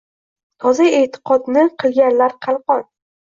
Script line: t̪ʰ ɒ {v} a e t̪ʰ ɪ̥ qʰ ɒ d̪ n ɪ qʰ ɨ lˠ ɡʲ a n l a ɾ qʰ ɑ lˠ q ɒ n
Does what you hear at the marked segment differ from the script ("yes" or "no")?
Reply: yes